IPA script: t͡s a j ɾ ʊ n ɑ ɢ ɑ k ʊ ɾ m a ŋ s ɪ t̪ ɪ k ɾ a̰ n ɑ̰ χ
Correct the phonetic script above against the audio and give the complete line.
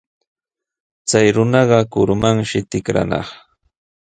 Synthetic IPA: t͡s a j ɾ ʊ n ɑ ɢ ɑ k ʊ ɾ m a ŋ ʃ ɪ t̪ ɪ k ɾ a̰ n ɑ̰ χ